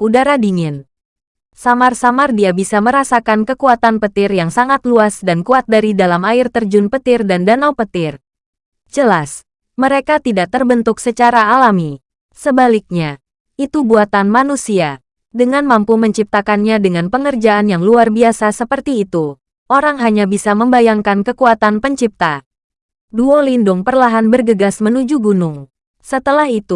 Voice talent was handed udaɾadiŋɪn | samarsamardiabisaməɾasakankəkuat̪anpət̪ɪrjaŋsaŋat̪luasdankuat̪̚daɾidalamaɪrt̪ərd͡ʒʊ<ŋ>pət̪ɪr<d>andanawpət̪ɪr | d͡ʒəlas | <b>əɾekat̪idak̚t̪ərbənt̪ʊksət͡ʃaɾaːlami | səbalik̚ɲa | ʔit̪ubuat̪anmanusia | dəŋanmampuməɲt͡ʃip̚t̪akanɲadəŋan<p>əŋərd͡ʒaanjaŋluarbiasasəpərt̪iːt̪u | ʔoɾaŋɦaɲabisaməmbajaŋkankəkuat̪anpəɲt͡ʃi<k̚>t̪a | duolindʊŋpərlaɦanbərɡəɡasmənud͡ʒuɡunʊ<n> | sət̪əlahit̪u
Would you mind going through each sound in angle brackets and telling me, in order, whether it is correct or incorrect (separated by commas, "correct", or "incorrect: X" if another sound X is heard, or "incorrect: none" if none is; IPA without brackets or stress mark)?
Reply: incorrect: n, correct, incorrect: m, correct, incorrect: p̚, incorrect: ŋ